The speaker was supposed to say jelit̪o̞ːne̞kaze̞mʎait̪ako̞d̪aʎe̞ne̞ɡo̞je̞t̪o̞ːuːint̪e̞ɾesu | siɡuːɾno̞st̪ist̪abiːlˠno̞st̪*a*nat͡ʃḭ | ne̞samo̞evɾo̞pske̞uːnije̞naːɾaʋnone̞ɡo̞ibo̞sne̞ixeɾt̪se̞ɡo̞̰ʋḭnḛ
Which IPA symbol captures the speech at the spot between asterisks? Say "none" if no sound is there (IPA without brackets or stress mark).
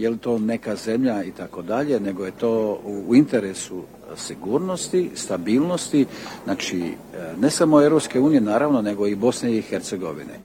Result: i